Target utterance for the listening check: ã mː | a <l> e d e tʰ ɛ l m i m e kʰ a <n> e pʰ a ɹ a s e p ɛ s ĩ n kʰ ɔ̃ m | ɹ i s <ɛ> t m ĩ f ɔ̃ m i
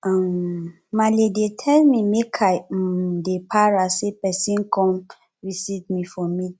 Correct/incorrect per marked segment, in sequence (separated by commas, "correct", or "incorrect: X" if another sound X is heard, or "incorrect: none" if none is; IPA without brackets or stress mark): correct, incorrect: d, incorrect: i